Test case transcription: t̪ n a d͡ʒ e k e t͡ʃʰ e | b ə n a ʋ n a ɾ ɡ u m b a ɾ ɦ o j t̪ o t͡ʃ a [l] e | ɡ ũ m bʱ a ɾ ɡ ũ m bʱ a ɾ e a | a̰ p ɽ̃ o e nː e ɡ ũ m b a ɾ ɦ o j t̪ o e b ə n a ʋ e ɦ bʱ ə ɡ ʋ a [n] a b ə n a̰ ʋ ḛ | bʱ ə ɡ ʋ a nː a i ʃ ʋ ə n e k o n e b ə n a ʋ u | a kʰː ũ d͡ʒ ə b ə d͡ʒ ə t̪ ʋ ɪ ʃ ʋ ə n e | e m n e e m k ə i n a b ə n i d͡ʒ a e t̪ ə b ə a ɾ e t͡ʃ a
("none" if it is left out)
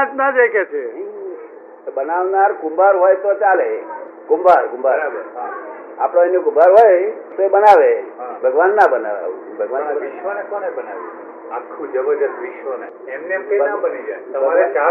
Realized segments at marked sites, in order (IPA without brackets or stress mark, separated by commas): l, nː